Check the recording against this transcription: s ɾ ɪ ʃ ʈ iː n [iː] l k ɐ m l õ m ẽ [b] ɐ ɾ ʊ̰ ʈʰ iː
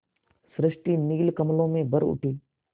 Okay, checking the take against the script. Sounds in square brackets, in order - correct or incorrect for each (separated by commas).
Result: correct, correct